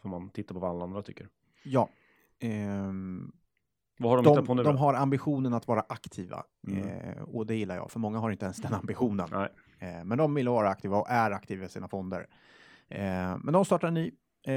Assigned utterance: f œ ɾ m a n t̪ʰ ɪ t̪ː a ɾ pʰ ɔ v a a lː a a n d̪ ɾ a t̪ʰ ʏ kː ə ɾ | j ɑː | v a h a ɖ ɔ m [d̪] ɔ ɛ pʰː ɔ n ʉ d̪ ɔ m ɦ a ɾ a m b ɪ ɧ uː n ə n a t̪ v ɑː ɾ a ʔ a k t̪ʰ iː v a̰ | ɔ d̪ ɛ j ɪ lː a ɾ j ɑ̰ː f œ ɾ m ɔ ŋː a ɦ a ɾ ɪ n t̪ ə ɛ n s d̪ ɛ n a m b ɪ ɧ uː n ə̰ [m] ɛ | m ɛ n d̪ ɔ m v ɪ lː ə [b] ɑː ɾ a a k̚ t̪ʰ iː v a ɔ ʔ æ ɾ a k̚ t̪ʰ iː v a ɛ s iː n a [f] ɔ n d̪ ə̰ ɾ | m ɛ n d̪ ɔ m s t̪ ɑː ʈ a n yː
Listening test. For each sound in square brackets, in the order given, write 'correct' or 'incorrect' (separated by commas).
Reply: correct, incorrect, incorrect, correct